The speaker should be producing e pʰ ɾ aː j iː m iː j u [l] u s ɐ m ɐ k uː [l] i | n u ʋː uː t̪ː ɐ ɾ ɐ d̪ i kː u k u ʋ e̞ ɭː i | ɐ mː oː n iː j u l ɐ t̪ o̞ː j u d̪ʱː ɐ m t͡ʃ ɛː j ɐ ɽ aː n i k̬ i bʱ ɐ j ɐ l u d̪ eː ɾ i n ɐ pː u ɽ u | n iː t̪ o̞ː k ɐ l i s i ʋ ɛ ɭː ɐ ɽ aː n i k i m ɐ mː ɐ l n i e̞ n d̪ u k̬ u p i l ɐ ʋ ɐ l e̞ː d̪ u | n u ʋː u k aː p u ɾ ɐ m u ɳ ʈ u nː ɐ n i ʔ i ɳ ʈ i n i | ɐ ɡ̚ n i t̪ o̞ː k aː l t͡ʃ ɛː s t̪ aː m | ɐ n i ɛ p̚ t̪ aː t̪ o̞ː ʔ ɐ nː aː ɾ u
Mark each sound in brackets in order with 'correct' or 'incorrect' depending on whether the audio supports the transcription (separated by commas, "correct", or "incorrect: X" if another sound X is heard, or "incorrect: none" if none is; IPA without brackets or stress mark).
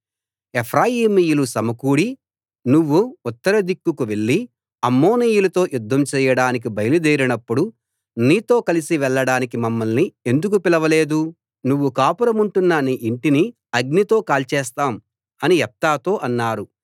correct, incorrect: ɽ